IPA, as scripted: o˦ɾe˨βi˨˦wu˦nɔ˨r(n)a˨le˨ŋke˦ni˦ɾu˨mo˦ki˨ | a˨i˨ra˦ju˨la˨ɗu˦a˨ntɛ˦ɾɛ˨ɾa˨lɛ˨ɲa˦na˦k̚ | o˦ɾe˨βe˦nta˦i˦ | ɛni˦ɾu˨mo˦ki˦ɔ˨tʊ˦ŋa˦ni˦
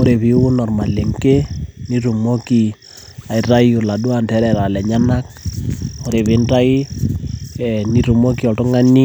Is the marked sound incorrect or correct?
incorrect